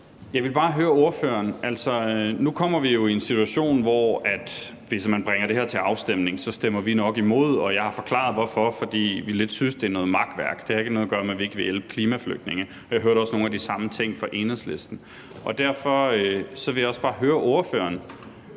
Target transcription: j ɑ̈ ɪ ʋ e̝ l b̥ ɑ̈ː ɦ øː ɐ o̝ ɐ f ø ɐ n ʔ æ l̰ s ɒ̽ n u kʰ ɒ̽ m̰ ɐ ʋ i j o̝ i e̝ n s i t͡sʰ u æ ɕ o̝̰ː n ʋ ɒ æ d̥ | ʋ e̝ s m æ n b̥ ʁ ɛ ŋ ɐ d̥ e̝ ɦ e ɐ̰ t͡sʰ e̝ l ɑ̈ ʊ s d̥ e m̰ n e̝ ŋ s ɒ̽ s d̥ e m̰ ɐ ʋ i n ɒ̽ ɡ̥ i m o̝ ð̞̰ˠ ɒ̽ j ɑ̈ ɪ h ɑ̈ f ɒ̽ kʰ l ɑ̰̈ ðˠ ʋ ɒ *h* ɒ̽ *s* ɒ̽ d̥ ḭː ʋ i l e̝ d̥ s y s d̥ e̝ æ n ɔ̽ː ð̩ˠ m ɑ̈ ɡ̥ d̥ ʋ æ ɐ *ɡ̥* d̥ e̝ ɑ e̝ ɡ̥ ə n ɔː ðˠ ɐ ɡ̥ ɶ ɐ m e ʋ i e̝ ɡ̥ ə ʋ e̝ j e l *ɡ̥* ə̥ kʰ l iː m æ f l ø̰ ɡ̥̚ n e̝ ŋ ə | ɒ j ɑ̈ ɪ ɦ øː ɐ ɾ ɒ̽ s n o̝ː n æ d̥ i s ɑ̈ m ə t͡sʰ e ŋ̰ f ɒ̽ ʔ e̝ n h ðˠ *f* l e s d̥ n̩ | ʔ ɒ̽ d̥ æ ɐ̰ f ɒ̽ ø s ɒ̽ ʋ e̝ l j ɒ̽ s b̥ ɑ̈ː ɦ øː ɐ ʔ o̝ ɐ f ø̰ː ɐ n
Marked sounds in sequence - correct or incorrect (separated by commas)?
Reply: incorrect, incorrect, correct, incorrect, incorrect